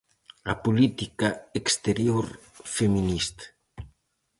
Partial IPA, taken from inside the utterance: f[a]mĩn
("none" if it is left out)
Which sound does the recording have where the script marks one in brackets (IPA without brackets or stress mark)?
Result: e